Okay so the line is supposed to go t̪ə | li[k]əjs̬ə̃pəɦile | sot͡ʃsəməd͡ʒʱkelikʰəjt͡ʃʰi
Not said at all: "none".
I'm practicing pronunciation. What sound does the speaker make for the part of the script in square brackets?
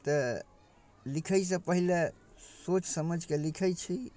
kʰ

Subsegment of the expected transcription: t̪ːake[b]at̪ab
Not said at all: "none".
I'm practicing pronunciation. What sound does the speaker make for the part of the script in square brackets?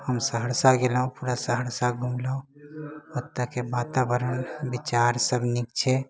b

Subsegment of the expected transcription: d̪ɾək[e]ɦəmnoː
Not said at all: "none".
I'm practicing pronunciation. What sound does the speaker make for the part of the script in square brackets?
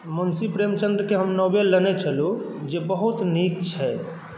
e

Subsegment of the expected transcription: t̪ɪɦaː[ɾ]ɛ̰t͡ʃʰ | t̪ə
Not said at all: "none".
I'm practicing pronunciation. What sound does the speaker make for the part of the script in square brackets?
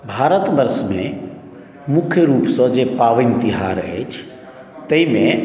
ɾ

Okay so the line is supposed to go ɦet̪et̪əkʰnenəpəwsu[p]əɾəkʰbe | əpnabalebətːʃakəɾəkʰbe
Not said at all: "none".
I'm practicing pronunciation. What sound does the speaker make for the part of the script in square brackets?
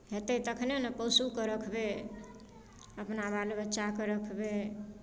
k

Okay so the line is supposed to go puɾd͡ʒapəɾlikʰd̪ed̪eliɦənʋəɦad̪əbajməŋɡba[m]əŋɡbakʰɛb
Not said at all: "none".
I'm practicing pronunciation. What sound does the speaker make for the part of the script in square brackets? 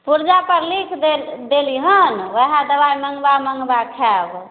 m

